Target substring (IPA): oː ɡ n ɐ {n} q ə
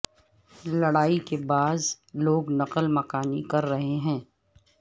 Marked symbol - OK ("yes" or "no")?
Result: no